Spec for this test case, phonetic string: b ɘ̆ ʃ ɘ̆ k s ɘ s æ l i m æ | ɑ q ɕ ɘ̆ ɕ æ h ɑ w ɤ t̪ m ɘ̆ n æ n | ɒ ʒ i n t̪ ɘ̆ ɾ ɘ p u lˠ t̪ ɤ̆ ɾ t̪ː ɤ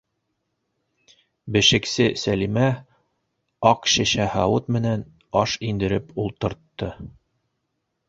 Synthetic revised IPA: b ɘ̆ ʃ ɘ̆ k s ɘ s æ l i m æ | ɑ q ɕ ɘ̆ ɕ æ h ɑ w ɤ t̪ m ɘ̆ n æ n | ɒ ʃ i n d̪ ɘ̆ ɾ ɘ p u lˠ t̪ ɤ̆ ɾ t̪ː ɤ